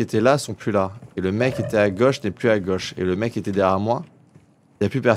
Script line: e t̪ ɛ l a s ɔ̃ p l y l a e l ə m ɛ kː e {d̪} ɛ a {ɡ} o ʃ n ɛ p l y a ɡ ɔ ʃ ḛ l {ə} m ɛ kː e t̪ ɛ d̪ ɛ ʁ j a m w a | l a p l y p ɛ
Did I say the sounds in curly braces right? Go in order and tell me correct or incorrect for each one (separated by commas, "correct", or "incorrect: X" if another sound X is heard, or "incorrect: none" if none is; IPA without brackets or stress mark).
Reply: incorrect: t̪, correct, correct